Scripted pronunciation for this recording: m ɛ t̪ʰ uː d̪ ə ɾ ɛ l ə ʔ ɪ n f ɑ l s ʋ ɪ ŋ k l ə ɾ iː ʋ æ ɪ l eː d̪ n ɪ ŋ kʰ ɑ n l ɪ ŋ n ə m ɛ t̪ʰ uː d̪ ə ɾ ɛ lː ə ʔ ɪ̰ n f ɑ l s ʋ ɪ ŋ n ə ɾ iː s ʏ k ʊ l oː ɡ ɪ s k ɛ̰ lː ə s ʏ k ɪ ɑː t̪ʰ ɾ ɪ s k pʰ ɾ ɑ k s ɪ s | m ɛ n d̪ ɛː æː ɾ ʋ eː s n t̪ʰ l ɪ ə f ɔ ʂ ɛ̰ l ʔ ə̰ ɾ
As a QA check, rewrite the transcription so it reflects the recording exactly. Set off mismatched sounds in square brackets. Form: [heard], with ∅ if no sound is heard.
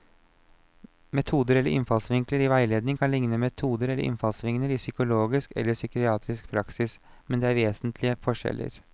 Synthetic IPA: m ɛ t̪ʰ uː d̪ ə ɾ ɛ l ə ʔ ɪ n f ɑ l s ʋ ɪ ŋ k l ə ɾ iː ʋ æ ɪ l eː d̪ n ɪ ŋ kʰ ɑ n l ɪ ŋ n ə m ɛ t̪ʰ uː d̪ ə ɾ ɛ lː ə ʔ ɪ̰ n f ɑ l s ʋ ɪ ŋ n ə ɾ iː s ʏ k ʊ l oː ɡ ɪ s k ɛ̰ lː ə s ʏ k ɪ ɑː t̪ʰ ɾ ɪ s k pʰ ɾ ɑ k s ɪ s | m ɛ n d̪ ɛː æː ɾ ʋ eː s n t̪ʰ l ɪ ə f ɔ ʂ ɛ̰ l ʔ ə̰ ɾ